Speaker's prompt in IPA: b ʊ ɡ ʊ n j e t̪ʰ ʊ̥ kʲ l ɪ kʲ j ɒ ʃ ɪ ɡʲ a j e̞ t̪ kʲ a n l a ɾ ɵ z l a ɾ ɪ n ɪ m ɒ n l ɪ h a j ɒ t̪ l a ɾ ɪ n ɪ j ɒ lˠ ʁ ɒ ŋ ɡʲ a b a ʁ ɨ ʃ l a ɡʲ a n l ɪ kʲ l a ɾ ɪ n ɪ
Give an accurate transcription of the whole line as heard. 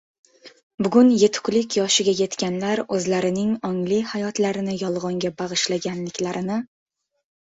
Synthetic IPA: b ʊ ɡ ʊ n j e t̪ʰ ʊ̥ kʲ l ɪ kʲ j ɒ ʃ ɪ ɡʲ a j e̞ t̪ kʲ a n l a ɾ ɵ z l a ɾ ɪ n ɪ ŋ ɒ ŋ l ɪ h a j ɒ t̪ l a ɾ ɪ n ɪ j ɒ lˠ ʁ ɒ ŋ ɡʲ a b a ʁ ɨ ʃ l a ɡʲ a n l ɪ kʲ l a ɾ ɪ n ɪ